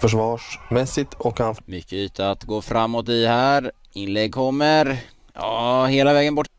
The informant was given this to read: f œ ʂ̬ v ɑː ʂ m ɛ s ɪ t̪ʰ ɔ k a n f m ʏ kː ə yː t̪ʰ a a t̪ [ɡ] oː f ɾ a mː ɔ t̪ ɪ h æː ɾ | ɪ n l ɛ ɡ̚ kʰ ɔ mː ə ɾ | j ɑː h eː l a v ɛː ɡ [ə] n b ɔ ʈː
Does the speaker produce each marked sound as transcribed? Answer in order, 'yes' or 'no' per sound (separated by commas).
yes, yes